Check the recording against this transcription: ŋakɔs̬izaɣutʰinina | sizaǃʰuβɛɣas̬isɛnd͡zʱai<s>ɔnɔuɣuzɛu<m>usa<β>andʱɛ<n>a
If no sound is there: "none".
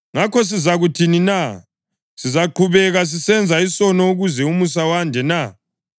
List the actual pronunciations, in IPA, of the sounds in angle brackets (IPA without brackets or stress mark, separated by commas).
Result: s, m, w, n